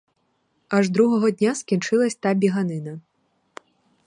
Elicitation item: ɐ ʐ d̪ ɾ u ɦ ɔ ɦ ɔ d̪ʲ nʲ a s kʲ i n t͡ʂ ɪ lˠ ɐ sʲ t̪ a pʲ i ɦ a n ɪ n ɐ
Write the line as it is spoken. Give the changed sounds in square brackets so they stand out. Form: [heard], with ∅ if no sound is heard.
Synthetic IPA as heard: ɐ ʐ d̪ ɾ u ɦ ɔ ɦ ɔ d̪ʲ nʲ a s kʲ i n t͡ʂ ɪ lˠ ɐ sʲ t̪ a [bʲ] i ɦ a n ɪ n ɐ